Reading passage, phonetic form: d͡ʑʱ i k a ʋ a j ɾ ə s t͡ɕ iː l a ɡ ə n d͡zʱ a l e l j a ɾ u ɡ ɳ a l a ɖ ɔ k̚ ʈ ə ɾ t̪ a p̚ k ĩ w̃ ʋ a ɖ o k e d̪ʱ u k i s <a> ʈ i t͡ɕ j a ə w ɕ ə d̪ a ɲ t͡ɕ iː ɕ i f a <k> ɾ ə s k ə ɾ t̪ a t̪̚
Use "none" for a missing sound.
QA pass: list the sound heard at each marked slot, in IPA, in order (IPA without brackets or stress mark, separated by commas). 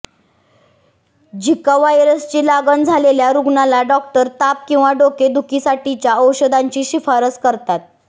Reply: a, none